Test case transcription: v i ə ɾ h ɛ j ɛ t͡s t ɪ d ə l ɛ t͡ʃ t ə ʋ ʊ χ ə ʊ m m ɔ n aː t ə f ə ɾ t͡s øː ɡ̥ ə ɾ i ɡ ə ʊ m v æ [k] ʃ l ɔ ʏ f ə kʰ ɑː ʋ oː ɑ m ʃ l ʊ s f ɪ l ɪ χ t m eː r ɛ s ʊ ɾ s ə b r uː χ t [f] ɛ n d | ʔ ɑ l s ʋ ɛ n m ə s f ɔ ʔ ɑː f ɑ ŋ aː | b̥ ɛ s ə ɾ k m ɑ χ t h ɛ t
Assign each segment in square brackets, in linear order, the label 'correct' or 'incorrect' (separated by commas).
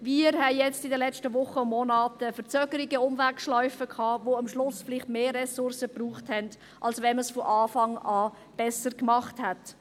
correct, incorrect